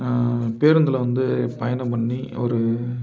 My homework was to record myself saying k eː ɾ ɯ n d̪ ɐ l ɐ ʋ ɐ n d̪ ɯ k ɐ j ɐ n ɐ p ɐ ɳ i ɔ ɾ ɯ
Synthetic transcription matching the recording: p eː ɾ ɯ n d̪ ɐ l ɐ ʋ ɐ n d̪ ɯ p ɐ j ɐ n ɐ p ɐ ɳː i ɔ ɾ ɯ